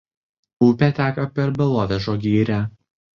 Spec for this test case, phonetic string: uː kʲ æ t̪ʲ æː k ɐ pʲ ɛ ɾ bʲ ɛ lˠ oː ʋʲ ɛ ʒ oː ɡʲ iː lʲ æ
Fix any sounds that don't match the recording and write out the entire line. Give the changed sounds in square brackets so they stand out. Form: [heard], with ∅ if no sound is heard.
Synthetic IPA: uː [pʲ] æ t̪ʲ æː k ɐ pʲ ɛ ɾ bʲ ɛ lˠ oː ʋʲ ɛ ʒ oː ɡʲ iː [ɾʲ] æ